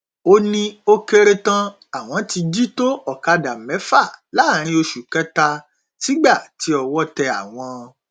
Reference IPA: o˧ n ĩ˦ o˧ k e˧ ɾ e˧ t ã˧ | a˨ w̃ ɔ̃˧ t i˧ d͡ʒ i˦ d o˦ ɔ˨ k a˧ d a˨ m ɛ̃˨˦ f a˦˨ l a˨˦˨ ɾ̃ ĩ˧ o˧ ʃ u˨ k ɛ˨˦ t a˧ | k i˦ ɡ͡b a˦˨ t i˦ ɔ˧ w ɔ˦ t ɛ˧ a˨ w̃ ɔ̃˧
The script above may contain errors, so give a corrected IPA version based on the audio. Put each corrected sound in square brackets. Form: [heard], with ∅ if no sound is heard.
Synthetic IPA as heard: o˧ n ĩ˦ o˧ k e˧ ɾ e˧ t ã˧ | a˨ w̃ ɔ̃˧ t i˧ d͡ʒ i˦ [t] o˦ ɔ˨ k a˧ d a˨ m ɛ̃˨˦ f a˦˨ l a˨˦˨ ɾ̃ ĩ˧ o˧ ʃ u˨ k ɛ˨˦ t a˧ | [t] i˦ ɡ͡b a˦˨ t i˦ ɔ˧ w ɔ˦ t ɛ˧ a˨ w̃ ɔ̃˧